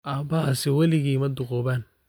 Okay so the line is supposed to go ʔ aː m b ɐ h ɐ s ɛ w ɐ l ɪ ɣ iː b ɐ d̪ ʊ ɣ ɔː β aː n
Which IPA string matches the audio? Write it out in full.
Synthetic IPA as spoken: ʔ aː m b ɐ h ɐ s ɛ w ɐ l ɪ ɣ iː m ɐ d̪ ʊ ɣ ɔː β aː n